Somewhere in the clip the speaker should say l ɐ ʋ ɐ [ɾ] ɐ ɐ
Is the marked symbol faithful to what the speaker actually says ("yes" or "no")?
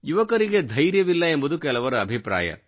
yes